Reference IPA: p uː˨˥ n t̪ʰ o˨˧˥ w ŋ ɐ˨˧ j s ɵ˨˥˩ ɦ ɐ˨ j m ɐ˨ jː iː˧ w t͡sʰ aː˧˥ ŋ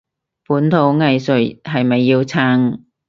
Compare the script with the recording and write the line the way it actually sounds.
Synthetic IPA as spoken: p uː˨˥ n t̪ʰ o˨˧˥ w ŋ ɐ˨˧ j s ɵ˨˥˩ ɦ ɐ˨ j m ɐ˨ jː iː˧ w t͡sʰ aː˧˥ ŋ